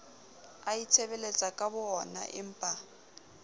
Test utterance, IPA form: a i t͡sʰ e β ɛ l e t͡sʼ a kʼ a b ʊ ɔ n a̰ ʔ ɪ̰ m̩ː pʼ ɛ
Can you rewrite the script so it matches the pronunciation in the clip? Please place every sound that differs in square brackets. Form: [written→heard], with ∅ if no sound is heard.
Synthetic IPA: a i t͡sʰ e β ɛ l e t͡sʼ a kʼ a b ʊ ɔ n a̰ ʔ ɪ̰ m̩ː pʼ [ɛ→a]